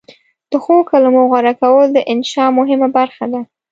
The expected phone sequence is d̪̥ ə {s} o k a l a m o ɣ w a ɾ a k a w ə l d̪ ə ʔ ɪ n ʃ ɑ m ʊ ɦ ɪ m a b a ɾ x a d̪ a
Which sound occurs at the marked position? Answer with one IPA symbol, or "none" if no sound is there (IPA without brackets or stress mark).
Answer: x